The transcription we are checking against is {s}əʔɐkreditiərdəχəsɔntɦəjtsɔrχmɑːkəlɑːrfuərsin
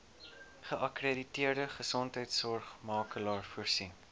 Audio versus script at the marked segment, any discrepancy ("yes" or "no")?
yes